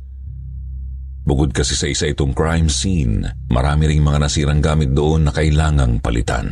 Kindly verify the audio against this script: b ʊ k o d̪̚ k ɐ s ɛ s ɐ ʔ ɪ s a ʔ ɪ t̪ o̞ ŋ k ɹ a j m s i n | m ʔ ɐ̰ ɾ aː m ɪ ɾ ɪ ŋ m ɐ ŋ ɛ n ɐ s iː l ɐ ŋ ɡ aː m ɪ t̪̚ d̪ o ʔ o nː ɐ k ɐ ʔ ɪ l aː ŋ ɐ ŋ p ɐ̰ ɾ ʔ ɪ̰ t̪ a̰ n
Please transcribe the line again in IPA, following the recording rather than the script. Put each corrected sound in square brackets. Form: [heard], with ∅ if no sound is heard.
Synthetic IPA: b ʊ k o d̪̚ k ɐ s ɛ s ɐ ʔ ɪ s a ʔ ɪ t̪ o̞ ŋ k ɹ a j m s i n | m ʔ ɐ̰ ɾ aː m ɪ ɾ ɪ ŋ m ɐ ŋ [a] n ɐ s iː [ɾ] ɐ ŋ ɡ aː m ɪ t̪̚ d̪ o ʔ o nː ɐ k ɐ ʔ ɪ l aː ŋ ɐ ŋ p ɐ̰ [l] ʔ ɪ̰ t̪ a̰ n